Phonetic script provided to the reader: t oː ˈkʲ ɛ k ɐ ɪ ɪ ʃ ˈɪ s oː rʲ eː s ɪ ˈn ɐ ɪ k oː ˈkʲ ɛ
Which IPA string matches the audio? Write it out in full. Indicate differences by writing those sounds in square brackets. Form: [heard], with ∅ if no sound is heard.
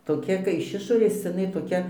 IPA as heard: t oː ˈkʲ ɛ k ɐ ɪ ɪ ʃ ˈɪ [ʃ] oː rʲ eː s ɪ ˈn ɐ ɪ [t] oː ˈkʲ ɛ